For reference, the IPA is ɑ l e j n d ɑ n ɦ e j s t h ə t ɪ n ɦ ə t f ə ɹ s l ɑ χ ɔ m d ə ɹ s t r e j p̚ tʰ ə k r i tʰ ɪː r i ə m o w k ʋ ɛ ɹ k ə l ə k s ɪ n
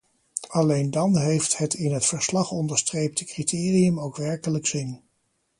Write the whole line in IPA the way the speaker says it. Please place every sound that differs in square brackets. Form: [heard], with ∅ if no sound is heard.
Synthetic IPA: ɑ l e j n d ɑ n ɦ e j [f] t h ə t ɪ n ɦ ə t f ə ɹ s l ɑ χ ɔ [n] d ə ɹ s t r e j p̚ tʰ ə k r i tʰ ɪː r i ə m o w k ʋ ɛ ɹ k ə l ə k s ɪ n

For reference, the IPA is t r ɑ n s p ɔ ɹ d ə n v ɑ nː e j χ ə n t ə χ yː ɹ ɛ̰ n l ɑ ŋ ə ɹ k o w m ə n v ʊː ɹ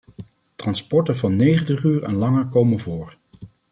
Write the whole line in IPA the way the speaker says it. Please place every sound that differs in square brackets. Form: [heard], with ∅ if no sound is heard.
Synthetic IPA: t r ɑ n s p ɔ ɹ [t] ə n v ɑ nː e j χ ə n t ə χ yː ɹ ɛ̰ n l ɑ ŋ ə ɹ k o w m ə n v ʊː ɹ

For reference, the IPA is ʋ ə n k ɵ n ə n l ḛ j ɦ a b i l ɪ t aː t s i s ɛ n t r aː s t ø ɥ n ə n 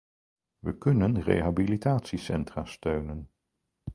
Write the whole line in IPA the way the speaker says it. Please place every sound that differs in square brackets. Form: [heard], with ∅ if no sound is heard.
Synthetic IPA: ʋ ə [∅] k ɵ n ə n [r] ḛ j ɦ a b i l [i] t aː t s i s ɛ n t r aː s t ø ɥ n ə n

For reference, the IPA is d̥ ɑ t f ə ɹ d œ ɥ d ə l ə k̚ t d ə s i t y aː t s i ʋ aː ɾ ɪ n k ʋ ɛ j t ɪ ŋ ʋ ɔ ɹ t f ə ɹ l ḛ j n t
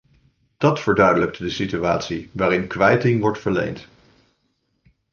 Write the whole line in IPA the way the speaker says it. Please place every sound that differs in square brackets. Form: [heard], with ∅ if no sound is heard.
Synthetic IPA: d̥ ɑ t f ə ɹ d œ ɥ d ə l ə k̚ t d ə s i t y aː t s i ʋ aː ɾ ɪ n k ʋ ɛ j t ɪ ŋ ʋ ɔ ɹ t f ə ɹ l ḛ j n t

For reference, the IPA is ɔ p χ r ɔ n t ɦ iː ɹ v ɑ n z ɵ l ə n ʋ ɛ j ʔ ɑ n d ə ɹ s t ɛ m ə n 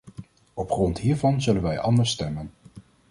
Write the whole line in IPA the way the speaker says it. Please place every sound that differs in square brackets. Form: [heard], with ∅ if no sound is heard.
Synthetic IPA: ɔ p χ r ɔ n t ɦ iː ɹ v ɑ n z ɵ l ə n ʋ ɛ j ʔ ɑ n d ə ɹ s t ɛ m ə n

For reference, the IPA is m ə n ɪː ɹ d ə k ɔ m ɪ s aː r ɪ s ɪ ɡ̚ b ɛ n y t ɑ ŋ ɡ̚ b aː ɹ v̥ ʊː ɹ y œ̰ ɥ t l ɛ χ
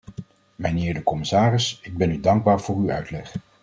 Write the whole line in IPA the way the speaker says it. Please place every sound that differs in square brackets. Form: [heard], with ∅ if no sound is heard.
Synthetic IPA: m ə n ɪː ɹ d ə k ɔ m ɪ s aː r ɪ s ɪ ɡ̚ b ɛ n y [d] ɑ ŋ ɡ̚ b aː ɹ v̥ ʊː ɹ y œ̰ ɥ t l ɛ χ

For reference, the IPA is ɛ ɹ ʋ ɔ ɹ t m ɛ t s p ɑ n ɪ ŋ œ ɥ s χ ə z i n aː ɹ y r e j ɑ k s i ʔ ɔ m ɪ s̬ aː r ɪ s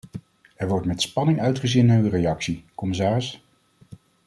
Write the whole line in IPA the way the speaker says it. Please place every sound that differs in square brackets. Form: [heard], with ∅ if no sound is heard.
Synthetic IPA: ɛ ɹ ʋ ɔ ɹ t m ɛ t s p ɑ n ɪ ŋ œ ɥ [t] χ ə z i n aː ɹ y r e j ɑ k s i [k] ɔ m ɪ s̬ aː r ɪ s

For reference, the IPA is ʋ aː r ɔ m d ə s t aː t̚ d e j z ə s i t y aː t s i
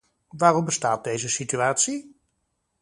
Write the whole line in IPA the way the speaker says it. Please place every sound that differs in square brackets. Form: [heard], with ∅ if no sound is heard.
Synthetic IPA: ʋ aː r ɔ m [b] ə s t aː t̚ d e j z ə s i t y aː t s i

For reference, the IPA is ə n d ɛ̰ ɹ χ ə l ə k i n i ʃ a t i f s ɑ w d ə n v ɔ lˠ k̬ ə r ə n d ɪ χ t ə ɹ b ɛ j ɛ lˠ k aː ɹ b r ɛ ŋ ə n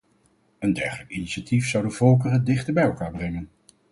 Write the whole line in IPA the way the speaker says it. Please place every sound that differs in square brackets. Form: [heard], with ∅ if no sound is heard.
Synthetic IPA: ə n d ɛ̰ ɹ χ ə l ə k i n i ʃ a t i f s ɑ w d ə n v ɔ lˠ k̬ ə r ə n d ɪ χ t ə ɹ b ɛ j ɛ lˠ k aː ɹ b r ɛ ŋ ə n

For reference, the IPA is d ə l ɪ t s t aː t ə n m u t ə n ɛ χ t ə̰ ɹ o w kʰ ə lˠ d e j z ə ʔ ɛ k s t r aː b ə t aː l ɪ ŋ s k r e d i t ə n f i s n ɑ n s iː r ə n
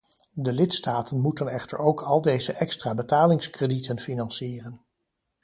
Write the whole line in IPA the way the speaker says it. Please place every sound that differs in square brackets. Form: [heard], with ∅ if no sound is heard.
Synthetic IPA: d ə l ɪ t s t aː t ə n m u t ə n ɛ χ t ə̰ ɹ o w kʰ [ɑ] lˠ d e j z ə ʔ ɛ k s t r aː b ə t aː l ɪ ŋ s k r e d i t ə n f i [∅] n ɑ n s iː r ə n

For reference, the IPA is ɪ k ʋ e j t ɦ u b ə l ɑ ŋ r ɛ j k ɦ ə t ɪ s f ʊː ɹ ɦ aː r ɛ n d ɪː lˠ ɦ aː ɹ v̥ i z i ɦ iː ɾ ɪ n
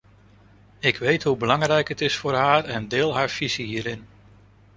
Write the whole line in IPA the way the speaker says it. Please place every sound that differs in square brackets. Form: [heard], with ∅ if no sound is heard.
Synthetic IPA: ɪ k ʋ e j t ɦ u b ə l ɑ ŋ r ɛ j k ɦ ə t ɪ s f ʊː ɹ ɦ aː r ɛ n d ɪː lˠ ɦ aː ɹ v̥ i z i ɦ iː ɾ ɪ n

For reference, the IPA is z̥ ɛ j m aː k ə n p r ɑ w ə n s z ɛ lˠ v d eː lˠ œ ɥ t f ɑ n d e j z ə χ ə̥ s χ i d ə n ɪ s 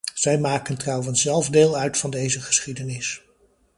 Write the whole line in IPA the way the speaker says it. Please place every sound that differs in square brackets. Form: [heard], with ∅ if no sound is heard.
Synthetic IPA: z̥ ɛ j m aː k ə n [t] r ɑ w ə n s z ɛ lˠ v d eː lˠ œ ɥ t f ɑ n d e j z ə χ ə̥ s χ i d ə n ɪ s

